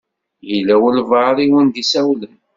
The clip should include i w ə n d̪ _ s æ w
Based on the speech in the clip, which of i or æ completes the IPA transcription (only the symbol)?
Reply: i